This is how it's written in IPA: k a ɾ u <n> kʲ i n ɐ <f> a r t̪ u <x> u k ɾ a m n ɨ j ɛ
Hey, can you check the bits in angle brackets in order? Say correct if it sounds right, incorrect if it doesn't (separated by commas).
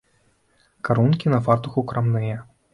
correct, correct, correct